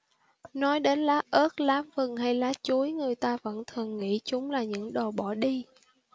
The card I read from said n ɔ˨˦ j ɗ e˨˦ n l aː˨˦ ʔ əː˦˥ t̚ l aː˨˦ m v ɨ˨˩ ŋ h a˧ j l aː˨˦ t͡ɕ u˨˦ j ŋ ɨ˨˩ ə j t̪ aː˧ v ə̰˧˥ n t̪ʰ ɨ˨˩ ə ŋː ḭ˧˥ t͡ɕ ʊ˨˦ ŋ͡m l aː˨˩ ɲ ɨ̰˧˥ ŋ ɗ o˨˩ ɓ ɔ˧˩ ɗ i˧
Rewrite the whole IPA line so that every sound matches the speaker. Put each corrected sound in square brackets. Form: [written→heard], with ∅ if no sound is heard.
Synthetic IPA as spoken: n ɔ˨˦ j ɗ e˨˦ n l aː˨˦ ʔ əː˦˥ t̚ l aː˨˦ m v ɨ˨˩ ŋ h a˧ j l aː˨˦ t͡ɕ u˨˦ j ŋ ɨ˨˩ ə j t̪ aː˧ v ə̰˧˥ n t̪ʰ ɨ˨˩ ə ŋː ḭ˧˥ t͡ɕ ʊ˨˦ ŋ͡m l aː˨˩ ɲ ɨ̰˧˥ ŋ ɗ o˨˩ ɓ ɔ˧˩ ɗ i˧